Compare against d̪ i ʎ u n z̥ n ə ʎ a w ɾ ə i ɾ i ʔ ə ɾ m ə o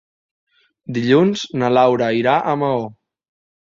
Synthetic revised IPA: d̪ i ʎ u n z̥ n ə l a w ɾ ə i ɾ a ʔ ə m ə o